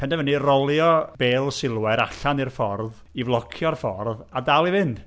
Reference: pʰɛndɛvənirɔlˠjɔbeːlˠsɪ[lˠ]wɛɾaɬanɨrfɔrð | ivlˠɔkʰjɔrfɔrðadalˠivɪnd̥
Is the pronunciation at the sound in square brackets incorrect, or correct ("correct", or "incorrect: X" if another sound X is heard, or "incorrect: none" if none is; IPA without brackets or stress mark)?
correct